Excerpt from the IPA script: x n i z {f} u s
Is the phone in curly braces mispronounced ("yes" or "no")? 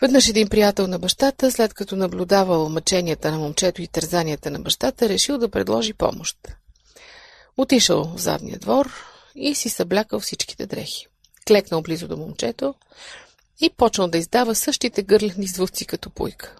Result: yes